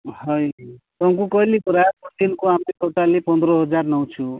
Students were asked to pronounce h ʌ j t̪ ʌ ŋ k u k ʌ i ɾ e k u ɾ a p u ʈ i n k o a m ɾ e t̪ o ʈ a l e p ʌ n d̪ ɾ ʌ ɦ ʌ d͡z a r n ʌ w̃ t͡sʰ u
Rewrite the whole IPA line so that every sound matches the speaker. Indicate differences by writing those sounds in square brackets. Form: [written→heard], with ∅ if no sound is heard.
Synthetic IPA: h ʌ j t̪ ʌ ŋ k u k ʌ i [ɾ→l] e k u ɾ a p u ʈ i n k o a m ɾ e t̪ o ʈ a l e p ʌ n d̪ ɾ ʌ ɦ ʌ d͡z a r n ʌ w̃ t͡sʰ u